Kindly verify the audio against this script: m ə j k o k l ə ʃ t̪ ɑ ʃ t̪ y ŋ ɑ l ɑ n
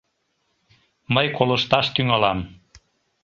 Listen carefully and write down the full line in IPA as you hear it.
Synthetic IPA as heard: m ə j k o l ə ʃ t̪ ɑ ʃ t̪ y ŋ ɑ l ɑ m